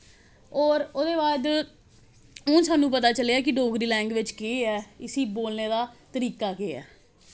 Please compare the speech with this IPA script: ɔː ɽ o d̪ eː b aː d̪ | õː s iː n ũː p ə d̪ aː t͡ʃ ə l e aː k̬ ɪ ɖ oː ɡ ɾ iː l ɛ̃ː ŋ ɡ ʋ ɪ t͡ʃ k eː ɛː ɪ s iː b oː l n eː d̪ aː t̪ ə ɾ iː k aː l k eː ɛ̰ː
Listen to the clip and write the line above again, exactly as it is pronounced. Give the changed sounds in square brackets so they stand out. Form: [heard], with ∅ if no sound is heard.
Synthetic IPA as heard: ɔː [ɾ] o d̪ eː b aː d̪ | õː s [aː] n ũː p ə [t̪] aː t͡ʃ ə l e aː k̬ ɪ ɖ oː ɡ ɾ iː l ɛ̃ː ŋ ɡ ʋ ɪ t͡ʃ k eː ɛː ɪ s iː b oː l n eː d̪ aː t̪ ə ɾ iː k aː [∅] k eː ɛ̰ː